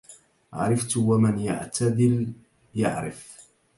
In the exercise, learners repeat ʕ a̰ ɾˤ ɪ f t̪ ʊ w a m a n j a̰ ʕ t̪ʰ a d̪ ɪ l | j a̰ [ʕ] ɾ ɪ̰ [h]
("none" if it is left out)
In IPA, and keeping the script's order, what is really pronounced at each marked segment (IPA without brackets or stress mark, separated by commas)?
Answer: ʕ, f